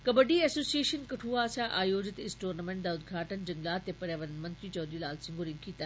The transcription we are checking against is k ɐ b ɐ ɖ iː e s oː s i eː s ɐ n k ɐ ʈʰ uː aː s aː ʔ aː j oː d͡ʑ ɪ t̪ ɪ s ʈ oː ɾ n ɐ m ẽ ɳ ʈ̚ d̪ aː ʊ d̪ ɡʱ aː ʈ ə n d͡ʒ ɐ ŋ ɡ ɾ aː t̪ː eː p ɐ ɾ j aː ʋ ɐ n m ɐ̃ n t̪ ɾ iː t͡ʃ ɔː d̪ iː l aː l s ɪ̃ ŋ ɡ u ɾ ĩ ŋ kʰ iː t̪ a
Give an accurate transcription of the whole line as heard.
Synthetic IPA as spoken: k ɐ b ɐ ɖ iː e s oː s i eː ʃ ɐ n k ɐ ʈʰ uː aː s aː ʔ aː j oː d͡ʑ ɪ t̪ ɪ s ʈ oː ɾ n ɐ m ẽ ɳ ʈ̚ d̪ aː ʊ d̪ ɡʱ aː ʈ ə n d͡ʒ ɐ ŋ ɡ l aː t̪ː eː p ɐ ɾ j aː ʋ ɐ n m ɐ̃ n t̪ ɾ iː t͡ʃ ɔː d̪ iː l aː l s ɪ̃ ŋ ɡ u ɾ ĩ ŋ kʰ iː t̪ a